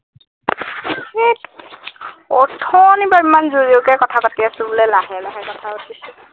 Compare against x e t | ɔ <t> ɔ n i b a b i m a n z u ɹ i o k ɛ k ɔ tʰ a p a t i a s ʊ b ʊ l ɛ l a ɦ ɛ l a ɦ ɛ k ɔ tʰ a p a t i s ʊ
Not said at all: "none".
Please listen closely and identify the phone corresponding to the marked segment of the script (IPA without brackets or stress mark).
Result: tʰ